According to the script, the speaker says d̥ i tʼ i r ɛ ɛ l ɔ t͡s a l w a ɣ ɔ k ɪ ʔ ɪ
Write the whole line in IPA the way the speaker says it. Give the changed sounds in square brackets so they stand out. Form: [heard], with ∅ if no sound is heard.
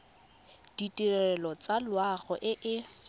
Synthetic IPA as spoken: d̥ i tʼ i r ɛ ɛ l ɔ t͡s a l w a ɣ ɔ [ʔ] ɪ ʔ ɪ